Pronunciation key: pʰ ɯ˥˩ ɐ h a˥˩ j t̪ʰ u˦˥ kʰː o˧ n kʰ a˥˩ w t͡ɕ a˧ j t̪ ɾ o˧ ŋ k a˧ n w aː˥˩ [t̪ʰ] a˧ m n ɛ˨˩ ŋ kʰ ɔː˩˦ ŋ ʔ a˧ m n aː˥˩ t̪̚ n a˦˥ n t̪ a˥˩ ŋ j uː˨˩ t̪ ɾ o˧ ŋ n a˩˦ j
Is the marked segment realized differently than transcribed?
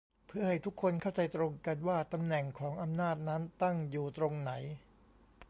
yes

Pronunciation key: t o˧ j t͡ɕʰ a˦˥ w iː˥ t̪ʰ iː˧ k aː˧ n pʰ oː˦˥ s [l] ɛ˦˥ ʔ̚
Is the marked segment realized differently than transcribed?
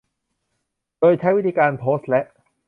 no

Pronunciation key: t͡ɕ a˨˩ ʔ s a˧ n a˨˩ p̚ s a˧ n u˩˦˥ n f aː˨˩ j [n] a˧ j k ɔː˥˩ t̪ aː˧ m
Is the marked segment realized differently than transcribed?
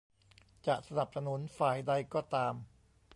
yes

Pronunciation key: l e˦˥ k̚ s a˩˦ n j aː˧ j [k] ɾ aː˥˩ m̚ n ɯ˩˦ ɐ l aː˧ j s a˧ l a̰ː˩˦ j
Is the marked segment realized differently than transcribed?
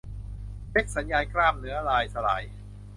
no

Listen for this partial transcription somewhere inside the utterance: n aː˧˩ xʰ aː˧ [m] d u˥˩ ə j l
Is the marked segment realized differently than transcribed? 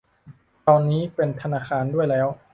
yes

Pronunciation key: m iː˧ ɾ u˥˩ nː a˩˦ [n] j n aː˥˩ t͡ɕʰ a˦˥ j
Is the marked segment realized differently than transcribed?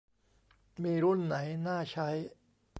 yes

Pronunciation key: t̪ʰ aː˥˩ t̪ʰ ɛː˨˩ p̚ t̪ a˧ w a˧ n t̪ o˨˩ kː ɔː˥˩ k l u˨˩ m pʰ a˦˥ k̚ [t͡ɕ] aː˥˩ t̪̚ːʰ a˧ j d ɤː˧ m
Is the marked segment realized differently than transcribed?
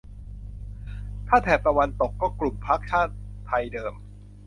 yes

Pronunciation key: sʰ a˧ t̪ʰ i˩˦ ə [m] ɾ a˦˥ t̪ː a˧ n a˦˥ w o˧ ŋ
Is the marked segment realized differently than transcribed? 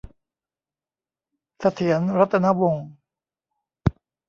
yes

